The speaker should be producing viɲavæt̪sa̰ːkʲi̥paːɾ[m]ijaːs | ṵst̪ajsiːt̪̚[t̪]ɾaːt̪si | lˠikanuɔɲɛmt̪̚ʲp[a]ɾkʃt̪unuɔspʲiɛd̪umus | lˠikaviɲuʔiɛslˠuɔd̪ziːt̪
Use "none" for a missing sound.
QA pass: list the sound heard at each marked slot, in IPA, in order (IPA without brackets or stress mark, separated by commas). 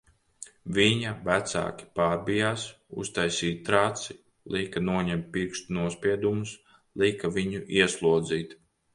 b, t̪, i